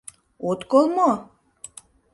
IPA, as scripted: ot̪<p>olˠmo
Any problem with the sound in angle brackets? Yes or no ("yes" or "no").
yes